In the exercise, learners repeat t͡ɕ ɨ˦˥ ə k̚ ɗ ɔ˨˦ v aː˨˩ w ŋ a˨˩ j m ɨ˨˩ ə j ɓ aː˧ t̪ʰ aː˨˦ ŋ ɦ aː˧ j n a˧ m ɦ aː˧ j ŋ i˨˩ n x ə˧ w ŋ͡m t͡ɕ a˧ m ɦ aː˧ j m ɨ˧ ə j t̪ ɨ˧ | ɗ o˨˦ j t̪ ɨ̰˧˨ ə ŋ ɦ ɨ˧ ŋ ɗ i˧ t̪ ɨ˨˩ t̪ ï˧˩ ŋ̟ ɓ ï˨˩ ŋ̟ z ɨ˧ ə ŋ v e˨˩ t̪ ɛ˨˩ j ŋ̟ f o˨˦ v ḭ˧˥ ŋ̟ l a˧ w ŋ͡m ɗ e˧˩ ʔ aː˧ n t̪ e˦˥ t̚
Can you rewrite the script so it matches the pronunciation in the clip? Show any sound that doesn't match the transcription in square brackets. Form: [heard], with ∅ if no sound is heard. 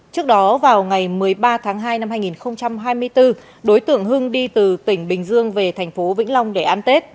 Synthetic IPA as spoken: t͡ɕ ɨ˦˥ ə k̚ ɗ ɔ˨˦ v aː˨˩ w ŋ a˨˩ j m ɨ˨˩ ə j ɓ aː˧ t̪ʰ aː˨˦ ŋ ɦ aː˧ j n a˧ m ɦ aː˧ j ŋ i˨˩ n x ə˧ w ŋ͡m t͡ɕ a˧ m ɦ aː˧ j m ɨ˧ ə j t̪ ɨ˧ | ɗ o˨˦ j t̪ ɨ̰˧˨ ə ŋ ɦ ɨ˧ ŋ ɗ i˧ t̪ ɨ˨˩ t̪ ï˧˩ ŋ̟ ɓ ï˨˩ ŋ̟ z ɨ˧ ə ŋ v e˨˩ [t̪ʰ] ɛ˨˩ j ŋ̟ f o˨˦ v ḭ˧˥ ŋ̟ l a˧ w ŋ͡m ɗ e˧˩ ʔ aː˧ n t̪ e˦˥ t̚